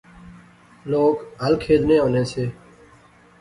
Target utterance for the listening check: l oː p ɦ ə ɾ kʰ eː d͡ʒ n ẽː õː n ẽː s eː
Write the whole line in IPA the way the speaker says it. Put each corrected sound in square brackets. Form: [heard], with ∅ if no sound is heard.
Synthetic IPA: l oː [k] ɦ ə [l] kʰ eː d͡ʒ n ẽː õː n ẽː s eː

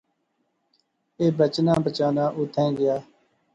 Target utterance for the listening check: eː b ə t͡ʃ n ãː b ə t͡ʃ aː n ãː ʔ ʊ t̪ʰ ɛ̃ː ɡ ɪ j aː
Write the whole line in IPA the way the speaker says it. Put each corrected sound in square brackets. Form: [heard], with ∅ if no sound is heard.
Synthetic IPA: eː b ə t͡ʃ n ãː b ə t͡ʃ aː n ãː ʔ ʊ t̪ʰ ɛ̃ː ɡ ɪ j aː

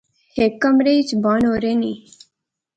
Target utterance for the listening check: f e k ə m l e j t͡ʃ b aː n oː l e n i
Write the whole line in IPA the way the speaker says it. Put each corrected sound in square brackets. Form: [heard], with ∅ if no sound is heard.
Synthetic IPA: [h] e k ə m [ɾ] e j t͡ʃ b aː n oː [ɾ] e n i

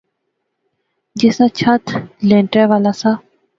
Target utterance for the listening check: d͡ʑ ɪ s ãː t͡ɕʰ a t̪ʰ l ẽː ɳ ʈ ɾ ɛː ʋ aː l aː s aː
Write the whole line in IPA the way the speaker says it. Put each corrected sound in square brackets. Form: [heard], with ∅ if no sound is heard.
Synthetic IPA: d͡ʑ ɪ s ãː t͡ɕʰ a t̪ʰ l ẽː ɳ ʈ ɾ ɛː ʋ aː l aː s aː

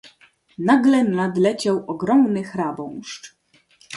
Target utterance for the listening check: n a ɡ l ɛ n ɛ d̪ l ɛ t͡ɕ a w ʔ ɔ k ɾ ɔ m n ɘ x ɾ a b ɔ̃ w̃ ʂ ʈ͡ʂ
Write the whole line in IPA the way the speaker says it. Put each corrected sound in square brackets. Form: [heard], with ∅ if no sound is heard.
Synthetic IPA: n a ɡ l ɛ n [a] d̪ l ɛ t͡ɕ a w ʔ ɔ [ɡ] ɾ ɔ m n ɘ x ɾ a b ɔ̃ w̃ ʂ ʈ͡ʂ

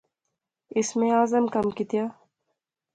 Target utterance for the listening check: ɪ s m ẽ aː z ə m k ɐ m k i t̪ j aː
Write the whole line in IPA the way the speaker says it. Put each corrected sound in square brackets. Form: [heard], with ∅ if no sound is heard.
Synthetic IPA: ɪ s m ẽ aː z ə m k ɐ m k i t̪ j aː

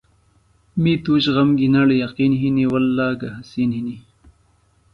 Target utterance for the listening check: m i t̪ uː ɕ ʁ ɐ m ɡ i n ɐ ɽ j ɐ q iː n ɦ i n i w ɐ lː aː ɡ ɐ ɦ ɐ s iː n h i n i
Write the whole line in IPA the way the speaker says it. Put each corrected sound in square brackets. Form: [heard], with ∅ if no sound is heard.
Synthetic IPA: m i t̪ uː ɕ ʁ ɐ m ɡ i n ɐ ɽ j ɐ q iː n ɦ i n i w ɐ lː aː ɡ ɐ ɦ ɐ s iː n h i n i

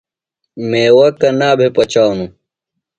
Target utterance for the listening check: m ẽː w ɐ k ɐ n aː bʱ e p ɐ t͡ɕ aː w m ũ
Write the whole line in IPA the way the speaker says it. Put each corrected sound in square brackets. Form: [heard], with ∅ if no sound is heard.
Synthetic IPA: m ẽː w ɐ k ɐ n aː bʱ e p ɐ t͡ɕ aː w [n] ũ

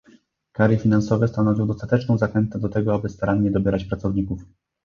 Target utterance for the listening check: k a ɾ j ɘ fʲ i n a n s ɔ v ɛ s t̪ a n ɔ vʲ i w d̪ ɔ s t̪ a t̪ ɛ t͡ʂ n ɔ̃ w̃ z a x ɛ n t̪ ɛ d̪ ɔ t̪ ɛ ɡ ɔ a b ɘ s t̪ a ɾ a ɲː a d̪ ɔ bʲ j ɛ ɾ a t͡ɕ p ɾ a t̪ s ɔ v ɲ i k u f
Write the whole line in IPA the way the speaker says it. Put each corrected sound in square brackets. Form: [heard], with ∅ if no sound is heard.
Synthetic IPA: k a ɾ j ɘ fʲ i n a n s ɔ v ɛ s t̪ a n ɔ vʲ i w d̪ ɔ s t̪ a t̪ ɛ t͡ʂ n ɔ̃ w̃ z a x ɛ n t̪ ɛ d̪ ɔ t̪ ɛ ɡ ɔ a b ɘ s t̪ a ɾ a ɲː [ɛ] d̪ ɔ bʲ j ɛ ɾ a t͡ɕ p ɾ a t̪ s ɔ v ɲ i k u f

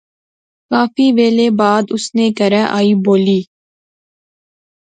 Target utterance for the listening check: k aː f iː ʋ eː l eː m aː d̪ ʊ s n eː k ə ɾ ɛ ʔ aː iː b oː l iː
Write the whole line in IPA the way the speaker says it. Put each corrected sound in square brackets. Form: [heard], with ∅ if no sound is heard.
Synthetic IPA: k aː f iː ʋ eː l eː [b] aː d̪ ʊ s n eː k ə ɾ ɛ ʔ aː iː b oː l iː

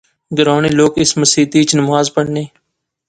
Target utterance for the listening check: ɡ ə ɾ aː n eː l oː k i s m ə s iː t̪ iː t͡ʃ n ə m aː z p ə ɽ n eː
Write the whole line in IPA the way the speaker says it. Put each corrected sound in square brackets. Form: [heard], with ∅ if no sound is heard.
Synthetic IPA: ɡ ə ɾ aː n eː l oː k [ɪ] s m ə s iː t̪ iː t͡ʃ n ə m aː z p ə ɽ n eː

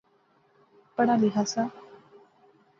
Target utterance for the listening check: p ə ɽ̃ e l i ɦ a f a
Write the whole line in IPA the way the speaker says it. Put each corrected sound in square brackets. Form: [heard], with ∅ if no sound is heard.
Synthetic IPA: p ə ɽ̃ [a] l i ɦ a [s] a

